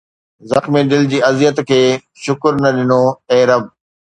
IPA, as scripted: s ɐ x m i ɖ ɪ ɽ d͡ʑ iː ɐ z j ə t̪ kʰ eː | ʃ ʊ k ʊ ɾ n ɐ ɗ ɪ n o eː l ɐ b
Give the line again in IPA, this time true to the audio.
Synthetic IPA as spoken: z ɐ x m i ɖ ɪ l d͡ʑ iː ɐ z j ə t̪ kʰ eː | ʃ ʊ k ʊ ɾ n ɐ ɗ ɪ n o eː ɾ ɐ b